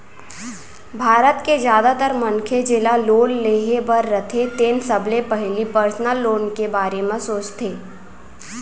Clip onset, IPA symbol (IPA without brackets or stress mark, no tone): bʱ